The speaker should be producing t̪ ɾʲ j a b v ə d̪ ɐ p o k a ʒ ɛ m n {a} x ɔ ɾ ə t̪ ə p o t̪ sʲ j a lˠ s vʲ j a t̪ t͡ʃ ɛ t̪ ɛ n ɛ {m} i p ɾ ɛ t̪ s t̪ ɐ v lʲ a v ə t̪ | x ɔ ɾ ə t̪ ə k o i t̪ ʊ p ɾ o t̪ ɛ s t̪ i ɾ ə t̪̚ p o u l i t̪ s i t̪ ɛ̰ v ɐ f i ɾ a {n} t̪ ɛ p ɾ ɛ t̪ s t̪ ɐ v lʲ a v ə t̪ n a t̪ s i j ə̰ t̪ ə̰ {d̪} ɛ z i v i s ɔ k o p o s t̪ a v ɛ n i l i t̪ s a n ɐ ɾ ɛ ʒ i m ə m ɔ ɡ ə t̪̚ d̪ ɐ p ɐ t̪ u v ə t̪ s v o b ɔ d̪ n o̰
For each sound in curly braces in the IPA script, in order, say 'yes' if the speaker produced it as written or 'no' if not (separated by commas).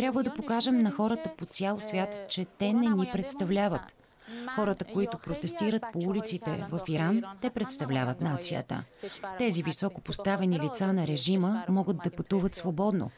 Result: no, no, yes, no